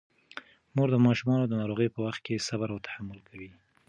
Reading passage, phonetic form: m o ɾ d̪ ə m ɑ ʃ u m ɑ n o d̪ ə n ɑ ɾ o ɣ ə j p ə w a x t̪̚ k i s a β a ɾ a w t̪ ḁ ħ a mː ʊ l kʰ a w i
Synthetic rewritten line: m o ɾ d̪ ə m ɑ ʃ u m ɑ n o d̪ ə n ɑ ɾ o ɣ ə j p ə w a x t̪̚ k e s a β a ɾ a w t̪ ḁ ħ a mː ʊ l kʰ a w i